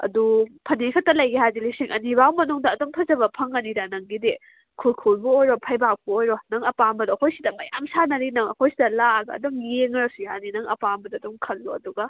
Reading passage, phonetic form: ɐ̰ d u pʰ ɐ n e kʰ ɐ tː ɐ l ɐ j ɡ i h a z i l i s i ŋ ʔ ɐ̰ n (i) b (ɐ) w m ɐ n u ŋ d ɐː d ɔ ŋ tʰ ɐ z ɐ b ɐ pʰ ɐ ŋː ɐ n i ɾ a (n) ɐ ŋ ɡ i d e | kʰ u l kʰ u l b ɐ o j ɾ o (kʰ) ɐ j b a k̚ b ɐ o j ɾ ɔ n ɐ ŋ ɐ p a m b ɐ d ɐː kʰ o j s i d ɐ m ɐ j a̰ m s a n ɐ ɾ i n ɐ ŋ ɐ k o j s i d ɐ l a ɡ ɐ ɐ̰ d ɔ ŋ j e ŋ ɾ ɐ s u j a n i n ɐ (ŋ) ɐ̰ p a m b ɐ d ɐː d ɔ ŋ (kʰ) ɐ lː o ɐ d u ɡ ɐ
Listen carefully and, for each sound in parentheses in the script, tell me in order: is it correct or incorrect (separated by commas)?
correct, incorrect, correct, incorrect, correct, correct